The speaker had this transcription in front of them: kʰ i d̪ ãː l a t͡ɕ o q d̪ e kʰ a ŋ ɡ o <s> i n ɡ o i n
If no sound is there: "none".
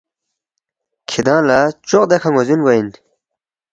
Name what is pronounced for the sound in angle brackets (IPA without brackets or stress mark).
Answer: z